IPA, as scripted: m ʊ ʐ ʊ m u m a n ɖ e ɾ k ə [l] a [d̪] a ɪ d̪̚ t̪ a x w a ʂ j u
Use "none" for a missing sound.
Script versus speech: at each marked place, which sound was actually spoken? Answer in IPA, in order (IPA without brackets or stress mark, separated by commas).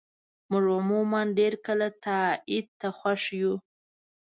l, t̪